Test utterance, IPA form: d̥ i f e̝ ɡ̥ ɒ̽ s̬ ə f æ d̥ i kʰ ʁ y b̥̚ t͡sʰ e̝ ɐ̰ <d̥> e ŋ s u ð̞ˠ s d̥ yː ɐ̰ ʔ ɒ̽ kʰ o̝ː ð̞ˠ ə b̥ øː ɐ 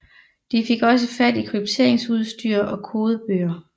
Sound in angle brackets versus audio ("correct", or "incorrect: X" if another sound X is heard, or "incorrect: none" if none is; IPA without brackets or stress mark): incorrect: none